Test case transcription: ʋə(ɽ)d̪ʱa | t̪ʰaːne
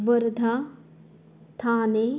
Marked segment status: incorrect: ɾ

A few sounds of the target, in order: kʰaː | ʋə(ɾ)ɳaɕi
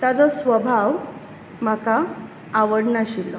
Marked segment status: incorrect: ɽ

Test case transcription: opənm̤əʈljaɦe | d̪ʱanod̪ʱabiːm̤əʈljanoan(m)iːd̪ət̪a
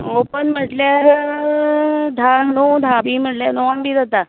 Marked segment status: incorrect: b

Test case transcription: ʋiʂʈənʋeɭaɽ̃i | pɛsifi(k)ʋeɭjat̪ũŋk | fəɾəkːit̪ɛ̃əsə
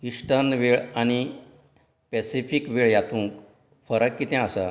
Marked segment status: correct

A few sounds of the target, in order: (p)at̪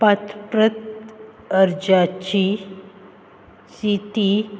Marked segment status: correct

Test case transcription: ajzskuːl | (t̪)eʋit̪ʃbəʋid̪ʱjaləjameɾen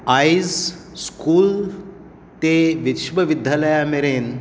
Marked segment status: correct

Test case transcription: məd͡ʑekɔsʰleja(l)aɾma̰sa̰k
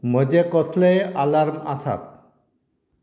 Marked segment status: correct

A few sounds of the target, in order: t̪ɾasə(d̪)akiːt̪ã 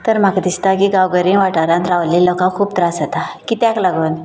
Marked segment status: incorrect: t̪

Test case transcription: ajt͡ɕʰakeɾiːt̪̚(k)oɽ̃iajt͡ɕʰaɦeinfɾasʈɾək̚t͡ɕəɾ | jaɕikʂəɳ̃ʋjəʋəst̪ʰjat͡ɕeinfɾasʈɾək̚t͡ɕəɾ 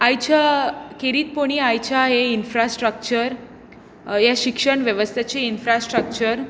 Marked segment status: incorrect: p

